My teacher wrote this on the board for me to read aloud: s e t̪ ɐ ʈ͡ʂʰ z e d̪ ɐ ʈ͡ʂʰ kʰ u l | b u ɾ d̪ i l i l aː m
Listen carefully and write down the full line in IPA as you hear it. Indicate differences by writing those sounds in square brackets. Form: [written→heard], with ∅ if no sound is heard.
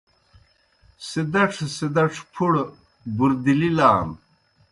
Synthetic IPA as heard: s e [t̪→d̪] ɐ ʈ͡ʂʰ [z→s] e d̪ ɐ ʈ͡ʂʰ [kʰ→pʰ] u [l→ɽ] | b u ɾ d̪ i l i l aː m